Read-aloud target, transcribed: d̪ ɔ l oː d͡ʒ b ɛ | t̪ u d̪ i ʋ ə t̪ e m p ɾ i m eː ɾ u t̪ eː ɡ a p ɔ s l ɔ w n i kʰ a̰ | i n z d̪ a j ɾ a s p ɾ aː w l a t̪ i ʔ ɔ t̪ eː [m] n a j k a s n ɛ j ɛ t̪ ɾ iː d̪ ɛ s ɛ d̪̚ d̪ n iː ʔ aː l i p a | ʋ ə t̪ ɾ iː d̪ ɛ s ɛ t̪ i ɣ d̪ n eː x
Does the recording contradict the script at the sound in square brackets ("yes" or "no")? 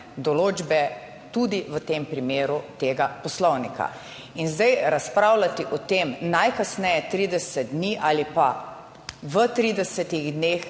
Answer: no